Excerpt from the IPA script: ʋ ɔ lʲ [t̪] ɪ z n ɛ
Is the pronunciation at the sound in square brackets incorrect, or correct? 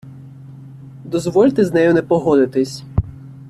correct